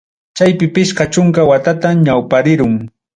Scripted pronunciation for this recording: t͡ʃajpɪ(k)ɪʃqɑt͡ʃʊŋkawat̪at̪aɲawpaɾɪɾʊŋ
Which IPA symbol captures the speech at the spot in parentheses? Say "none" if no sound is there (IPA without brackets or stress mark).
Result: p